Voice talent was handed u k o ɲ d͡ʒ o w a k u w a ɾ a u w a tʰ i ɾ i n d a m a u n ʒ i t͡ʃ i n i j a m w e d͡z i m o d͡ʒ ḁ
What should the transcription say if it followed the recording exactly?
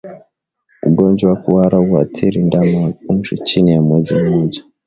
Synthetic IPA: u ɡ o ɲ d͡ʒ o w a k u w a ɾ a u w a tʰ i ɾ i n d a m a u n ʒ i t͡ʃ i n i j a m w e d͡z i m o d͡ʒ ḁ